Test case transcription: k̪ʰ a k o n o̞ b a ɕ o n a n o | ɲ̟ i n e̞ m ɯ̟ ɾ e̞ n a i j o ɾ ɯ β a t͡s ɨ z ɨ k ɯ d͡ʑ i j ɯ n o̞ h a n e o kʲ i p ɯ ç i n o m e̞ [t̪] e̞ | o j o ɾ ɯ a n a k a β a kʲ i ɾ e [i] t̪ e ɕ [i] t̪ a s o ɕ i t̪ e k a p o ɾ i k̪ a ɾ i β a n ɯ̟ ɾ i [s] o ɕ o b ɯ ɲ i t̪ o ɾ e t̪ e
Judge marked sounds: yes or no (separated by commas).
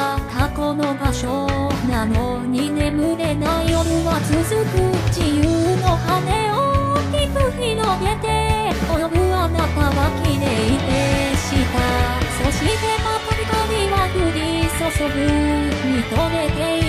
yes, yes, yes, yes